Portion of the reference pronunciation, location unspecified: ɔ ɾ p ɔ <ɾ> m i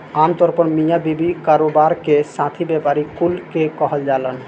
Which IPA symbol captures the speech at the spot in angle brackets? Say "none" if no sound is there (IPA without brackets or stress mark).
ɾ